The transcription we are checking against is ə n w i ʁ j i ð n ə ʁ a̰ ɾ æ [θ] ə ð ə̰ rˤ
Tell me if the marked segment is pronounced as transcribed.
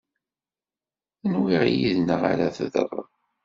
yes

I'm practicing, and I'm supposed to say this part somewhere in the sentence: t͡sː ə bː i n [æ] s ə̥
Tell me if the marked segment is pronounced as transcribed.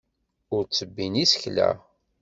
no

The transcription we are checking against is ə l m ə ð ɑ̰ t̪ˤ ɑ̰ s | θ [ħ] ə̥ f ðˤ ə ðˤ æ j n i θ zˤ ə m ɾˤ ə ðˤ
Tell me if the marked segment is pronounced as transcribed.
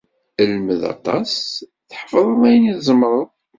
yes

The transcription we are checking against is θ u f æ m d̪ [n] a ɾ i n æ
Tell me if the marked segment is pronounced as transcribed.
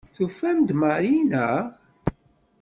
no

